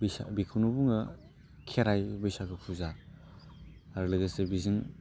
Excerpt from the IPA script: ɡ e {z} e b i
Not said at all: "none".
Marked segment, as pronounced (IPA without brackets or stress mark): s